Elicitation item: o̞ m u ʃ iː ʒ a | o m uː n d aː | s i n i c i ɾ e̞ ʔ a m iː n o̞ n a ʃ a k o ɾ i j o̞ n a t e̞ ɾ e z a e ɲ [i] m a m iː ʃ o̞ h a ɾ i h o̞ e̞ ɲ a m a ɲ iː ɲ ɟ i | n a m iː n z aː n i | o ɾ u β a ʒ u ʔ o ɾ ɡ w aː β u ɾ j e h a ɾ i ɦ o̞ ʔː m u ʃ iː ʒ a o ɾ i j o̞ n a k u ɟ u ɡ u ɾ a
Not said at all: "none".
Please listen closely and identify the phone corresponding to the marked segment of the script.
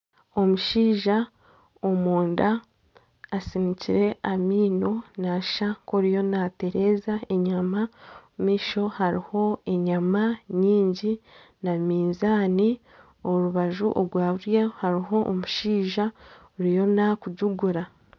a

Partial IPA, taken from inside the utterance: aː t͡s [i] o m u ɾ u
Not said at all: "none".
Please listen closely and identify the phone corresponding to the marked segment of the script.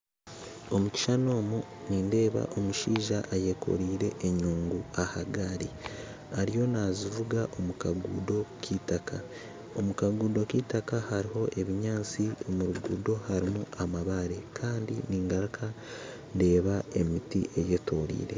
i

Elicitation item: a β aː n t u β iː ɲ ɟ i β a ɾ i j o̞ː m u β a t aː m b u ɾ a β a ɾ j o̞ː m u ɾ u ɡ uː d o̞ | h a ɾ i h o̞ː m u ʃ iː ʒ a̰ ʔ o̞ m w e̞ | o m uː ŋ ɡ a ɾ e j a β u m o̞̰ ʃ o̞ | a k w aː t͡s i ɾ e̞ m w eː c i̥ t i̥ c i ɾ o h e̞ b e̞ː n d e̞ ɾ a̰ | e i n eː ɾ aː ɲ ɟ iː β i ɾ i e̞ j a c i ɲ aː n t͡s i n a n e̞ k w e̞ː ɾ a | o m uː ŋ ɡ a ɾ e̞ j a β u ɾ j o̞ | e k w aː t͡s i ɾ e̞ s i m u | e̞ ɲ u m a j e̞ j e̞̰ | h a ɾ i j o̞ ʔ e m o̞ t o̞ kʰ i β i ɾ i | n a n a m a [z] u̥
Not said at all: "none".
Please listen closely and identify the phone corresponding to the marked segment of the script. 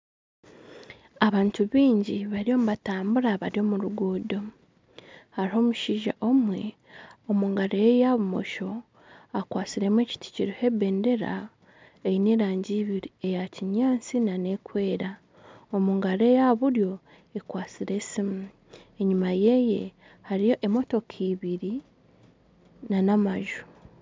ʒ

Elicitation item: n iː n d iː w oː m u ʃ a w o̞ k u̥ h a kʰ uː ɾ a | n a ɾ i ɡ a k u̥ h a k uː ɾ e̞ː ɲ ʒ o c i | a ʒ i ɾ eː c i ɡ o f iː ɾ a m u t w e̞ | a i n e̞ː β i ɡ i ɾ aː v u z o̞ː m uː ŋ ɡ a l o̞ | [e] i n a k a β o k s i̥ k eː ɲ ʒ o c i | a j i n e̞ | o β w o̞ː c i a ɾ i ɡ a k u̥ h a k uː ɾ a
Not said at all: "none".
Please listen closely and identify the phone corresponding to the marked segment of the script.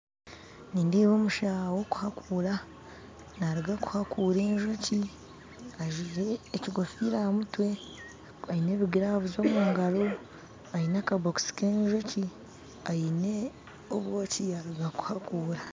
a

